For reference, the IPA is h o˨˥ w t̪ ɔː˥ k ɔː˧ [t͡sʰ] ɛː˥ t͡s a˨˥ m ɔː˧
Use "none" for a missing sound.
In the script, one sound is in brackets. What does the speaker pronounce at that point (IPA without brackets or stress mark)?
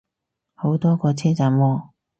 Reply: t͡sʰ